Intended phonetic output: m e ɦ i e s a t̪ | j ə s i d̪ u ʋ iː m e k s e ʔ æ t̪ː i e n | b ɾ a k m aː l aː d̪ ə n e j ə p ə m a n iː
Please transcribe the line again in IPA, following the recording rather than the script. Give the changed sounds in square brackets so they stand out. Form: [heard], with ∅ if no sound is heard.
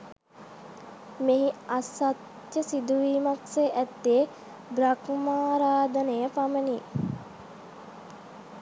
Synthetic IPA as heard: m e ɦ i [a] s a t̪ | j ə s i d̪ u ʋ iː m [a] k s e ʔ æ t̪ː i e [∅] | b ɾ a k m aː [ɾ] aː d̪ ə n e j ə p [a] m [ə] n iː